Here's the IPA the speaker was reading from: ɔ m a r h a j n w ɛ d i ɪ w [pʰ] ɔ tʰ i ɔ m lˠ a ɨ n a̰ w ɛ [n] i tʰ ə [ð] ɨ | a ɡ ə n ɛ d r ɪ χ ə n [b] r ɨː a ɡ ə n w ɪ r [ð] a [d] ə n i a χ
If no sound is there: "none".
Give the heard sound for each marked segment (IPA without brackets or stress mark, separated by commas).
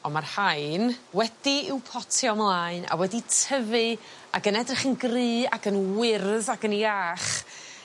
pʰ, d, v, ɡ, ð, ɡ